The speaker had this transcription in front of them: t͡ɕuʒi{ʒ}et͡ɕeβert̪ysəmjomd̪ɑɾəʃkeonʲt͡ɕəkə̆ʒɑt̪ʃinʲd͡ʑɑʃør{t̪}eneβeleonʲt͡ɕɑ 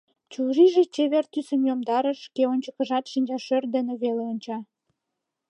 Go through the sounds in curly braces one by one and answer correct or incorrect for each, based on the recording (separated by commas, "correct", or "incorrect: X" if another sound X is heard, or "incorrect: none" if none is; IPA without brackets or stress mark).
correct, incorrect: d̪